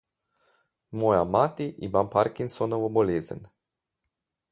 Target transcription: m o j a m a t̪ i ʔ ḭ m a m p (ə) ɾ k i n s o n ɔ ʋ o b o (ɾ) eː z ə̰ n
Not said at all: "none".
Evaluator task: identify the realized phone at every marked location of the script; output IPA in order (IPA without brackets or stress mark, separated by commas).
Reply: a, l